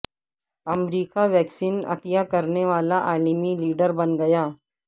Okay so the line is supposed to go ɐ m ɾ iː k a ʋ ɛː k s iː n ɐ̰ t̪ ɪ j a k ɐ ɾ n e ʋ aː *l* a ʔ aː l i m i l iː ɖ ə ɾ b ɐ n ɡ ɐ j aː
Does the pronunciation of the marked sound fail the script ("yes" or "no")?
no